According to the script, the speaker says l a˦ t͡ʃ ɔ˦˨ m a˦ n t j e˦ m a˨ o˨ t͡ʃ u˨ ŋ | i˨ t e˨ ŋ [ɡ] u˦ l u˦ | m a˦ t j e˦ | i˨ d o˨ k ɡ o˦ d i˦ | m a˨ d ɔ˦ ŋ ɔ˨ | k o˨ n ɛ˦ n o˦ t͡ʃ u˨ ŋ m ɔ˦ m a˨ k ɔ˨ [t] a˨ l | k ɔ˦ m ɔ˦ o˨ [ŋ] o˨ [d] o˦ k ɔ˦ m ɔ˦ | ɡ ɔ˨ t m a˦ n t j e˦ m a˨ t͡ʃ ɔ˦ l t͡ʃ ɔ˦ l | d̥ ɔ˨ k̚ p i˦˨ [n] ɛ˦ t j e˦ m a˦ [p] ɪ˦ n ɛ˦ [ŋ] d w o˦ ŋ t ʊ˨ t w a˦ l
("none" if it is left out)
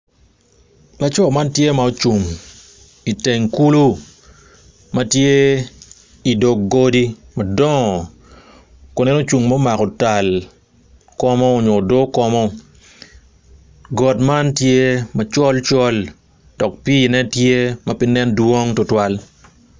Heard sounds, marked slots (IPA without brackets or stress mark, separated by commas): k, t, ɲ, d, n, p, n